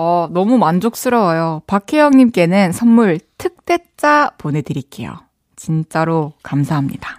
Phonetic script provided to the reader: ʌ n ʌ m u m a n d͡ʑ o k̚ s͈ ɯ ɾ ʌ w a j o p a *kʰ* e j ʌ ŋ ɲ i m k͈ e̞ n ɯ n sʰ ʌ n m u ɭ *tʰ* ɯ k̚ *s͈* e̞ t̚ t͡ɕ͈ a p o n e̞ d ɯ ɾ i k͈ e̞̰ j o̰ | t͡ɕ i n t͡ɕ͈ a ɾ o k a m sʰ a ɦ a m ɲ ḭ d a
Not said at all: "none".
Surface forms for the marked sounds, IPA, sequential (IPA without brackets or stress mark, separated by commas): kʰ, tʰ, t͈